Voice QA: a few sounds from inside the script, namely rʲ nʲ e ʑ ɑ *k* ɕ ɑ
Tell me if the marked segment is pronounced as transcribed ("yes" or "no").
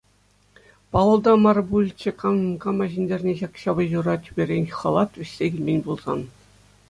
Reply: yes